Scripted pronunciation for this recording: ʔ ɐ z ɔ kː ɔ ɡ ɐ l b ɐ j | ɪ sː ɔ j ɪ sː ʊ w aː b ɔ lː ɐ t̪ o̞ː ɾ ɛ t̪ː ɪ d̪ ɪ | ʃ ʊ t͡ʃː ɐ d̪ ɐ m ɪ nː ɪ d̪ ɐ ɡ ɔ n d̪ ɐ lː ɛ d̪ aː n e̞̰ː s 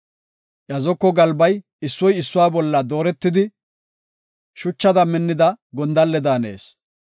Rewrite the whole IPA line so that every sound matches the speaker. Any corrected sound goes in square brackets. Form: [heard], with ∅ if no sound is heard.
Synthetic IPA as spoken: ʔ ɐ z ɔ kː ɔ ɡ ɐ l b ɐ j | ɪ sː ɔ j ɪ sː ʊ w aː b ɔ lː ɐ [d̪] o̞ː ɾ ɛ t̪ː ɪ d̪ ɪ | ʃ ʊ t͡ʃː ɐ d̪ ɐ m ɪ nː ɪ d̪ ɐ ɡ ɔ n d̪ ɐ lː ɛ d̪ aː n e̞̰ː s